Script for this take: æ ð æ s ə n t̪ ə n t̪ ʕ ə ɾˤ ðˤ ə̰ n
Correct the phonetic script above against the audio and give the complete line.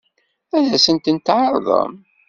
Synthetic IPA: æ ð æ s ə n t̪ ə n t̪ ʕ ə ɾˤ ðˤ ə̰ m